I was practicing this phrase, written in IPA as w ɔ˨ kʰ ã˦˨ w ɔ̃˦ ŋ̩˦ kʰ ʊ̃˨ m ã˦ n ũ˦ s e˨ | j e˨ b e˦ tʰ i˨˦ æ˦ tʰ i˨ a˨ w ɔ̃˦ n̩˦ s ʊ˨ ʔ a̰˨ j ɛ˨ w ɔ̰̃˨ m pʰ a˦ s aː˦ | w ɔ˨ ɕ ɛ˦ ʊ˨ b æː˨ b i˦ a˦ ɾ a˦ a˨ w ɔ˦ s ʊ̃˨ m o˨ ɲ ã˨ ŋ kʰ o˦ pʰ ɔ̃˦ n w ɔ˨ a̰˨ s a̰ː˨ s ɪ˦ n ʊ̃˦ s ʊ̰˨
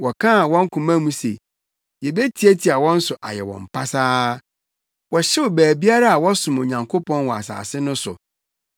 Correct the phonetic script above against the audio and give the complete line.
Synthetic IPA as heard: w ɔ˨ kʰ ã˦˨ w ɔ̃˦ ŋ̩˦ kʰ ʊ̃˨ m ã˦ m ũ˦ s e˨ | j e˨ b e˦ tʰ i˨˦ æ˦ tʰ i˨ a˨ w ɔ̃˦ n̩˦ s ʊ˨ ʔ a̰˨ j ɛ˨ w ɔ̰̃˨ m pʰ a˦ s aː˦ | w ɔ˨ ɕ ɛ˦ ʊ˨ b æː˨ b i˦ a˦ ɾ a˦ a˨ w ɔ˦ s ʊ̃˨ m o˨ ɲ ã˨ ŋ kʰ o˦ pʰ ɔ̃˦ n w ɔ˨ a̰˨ s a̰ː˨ s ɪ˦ n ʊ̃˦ s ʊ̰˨